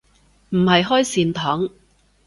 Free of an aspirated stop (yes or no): no